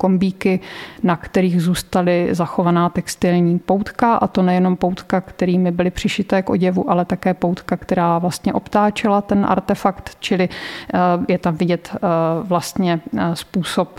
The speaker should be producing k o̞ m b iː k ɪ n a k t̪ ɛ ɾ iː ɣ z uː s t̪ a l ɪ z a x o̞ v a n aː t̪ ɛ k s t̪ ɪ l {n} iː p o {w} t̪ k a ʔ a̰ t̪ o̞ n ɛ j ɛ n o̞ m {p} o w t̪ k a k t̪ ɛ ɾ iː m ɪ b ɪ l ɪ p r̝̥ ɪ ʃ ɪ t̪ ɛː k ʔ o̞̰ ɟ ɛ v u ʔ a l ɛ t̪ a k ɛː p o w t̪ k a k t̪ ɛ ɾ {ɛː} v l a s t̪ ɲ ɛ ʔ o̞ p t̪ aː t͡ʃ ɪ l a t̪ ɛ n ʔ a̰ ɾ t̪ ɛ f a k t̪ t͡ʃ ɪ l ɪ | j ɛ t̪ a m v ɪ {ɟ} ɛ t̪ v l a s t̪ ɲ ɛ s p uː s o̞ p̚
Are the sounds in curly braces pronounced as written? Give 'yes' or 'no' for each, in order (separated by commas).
no, yes, yes, no, yes